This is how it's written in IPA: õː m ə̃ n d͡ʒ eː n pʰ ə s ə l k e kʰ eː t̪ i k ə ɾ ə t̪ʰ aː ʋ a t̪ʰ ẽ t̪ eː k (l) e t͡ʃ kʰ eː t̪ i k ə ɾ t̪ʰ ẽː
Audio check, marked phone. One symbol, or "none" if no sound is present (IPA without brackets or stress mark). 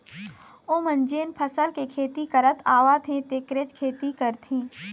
ɾ